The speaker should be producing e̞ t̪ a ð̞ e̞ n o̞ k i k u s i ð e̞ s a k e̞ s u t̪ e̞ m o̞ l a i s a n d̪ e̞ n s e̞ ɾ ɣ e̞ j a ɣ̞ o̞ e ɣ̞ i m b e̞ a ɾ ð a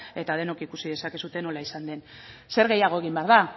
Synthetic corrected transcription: e̞ t̪ a ð̞ e̞ n o̞ k i k u s i ð e̞ s a k e̞ s u t̪ e̞ n o̞ l a i s a n d̪ e̞ n s e̞ ɾ ɣ e̞ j a ɣ̞ o̞ e ɣ̞ i m b e̞ a ɾ ð a